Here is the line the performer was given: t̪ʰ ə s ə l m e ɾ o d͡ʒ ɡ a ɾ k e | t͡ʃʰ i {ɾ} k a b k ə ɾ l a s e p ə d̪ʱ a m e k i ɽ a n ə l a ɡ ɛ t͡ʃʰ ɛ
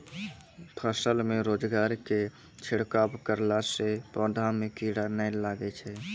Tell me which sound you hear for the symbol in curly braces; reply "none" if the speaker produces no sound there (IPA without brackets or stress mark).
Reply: ɽ